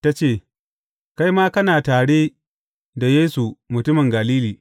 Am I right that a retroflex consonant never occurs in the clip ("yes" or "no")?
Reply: no